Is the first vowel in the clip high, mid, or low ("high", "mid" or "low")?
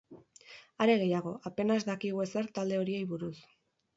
low